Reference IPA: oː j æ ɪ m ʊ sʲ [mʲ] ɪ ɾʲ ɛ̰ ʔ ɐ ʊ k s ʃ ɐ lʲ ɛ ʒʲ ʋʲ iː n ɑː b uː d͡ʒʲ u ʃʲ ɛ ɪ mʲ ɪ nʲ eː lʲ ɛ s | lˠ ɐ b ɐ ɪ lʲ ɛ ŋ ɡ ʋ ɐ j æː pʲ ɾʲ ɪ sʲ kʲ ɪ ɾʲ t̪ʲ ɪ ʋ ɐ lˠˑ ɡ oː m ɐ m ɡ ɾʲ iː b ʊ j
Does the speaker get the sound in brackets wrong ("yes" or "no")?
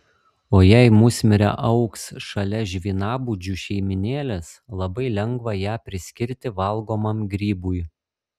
no